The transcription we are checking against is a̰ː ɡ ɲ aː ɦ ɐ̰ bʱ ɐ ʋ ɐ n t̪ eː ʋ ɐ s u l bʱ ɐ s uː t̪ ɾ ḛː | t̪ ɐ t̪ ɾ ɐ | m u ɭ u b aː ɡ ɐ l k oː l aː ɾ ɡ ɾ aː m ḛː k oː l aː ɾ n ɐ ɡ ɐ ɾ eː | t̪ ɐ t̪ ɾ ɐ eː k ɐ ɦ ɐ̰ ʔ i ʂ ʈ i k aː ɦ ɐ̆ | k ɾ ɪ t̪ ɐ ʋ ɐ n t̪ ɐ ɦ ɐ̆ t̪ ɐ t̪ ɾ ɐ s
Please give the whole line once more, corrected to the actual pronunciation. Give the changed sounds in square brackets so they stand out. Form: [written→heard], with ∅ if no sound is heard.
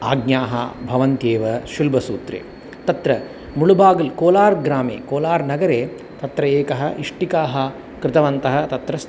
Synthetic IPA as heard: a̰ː ɡ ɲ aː ɦ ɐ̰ bʱ ɐ ʋ ɐ n t̪ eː ʋ ɐ [s→ʃ] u l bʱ ɐ s uː t̪ ɾ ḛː | t̪ ɐ t̪ ɾ ɐ | m u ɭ u b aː ɡ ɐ l k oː l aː ɾ ɡ ɾ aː m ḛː k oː l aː ɾ n ɐ ɡ ɐ ɾ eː | t̪ ɐ t̪ ɾ ɐ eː k ɐ ɦ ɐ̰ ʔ i ʂ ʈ i k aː ɦ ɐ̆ | k ɾ ɪ t̪ ɐ ʋ ɐ n t̪ ɐ ɦ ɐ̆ t̪ ɐ t̪ ɾ ɐ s